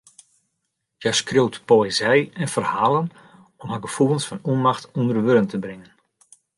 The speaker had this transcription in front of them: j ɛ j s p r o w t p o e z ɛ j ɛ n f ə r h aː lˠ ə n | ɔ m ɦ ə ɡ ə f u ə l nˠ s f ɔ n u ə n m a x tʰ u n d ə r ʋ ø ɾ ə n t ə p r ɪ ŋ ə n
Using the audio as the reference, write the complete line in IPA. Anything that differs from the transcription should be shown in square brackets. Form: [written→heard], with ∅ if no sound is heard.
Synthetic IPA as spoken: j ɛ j s [p→k] r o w t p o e z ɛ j ɛ n f ə r h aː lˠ ə n | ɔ m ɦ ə ɡ ə f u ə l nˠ s f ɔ n u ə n m a x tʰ u n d ə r ʋ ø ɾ ə n t ə [p→b] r ɪ ŋ ə n